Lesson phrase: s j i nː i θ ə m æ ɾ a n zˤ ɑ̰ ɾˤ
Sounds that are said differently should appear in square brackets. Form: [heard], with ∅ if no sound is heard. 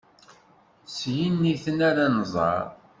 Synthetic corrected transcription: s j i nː i θ ə [n] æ ɾ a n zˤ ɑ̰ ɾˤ

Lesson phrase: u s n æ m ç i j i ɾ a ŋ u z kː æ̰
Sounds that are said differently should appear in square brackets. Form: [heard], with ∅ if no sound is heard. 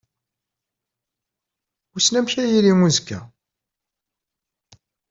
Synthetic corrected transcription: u s n æ m ç [æ] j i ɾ [i] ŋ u z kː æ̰

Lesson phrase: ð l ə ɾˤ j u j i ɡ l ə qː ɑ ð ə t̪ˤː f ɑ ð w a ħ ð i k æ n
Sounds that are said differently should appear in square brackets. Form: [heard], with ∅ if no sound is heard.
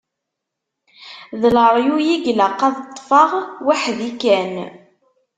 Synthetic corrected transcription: ð l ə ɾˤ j u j i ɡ l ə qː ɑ ð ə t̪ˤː f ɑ [ʁ] w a ħ ð i k æ n

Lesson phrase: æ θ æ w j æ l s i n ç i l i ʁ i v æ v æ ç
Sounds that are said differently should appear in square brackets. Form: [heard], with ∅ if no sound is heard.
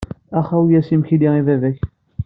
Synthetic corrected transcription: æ [χ] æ w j æ [∅] s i [m] ç i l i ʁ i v æ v æ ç

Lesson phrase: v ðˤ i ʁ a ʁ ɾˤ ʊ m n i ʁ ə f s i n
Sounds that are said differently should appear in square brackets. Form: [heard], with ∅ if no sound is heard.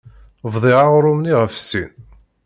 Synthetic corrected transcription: v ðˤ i ʁ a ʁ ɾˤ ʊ m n i ʁ ə f s i n

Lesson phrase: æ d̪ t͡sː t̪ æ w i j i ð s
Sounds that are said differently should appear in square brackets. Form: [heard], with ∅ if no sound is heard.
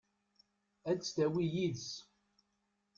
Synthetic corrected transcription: æ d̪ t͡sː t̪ æ w i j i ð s

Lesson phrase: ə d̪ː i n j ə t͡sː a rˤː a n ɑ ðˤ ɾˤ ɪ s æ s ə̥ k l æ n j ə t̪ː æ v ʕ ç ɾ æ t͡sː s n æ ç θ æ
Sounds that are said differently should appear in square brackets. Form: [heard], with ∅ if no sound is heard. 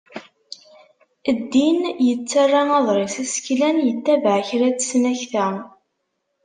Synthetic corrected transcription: ə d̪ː i n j ə t͡sː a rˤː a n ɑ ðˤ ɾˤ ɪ s æ s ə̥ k l æ n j ə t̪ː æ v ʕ ç ɾ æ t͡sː s n æ ç θ æ

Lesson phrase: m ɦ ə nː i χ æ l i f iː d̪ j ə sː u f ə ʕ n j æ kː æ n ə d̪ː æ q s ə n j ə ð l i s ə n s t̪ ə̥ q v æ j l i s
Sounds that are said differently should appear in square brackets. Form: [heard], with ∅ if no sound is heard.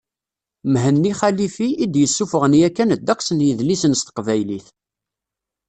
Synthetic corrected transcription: m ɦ ə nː i χ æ l i f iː d̪ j ə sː u f ə [ʁ] n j æ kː æ n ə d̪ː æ q s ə n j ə ð l i s ə n s t̪ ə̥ q v æ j l i [θ]

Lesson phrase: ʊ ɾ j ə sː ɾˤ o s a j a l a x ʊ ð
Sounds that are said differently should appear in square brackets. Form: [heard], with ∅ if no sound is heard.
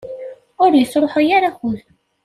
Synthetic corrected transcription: ʊ ɾ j ə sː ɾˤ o [ħ] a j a [ɾ] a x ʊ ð

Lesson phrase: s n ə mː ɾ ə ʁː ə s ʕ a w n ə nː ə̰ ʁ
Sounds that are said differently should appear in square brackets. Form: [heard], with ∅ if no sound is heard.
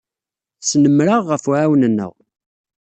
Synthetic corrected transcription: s n ə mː ɾ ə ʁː ə [f] ʕ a w n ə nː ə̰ ʁ

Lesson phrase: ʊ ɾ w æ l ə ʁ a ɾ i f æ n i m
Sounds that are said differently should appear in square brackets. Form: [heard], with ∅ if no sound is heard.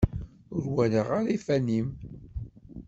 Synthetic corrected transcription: ʊ ɾ w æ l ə ʁ a ɾ i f æ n i m

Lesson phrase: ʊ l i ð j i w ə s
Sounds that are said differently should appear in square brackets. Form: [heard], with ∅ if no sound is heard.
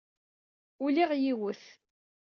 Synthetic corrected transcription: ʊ l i [ʁ] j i w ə [θ]

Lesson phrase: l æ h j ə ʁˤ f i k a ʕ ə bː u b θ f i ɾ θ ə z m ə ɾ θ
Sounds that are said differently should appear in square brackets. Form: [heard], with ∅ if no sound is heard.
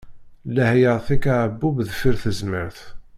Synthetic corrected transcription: l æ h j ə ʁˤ [θ] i k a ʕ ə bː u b [ð] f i ɾ θ ə z m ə ɾ θ

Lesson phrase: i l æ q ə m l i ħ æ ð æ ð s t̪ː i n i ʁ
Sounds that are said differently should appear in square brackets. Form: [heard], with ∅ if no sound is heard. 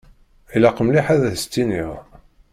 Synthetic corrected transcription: i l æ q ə m l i ħ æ ð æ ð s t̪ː i n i ʁ

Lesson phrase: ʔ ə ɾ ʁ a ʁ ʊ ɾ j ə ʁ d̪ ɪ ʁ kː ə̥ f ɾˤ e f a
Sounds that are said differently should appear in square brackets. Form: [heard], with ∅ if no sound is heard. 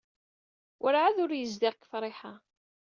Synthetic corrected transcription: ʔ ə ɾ [ʕ] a [ð] ʊ ɾ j ə [z] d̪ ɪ ʁ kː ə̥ f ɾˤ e [ħ] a

